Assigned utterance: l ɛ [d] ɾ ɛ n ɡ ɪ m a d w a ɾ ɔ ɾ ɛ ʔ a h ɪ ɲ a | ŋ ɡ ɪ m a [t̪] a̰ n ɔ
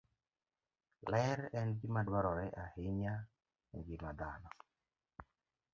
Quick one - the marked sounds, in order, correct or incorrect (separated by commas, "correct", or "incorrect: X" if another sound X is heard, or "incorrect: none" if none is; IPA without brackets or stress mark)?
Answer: incorrect: none, incorrect: d̪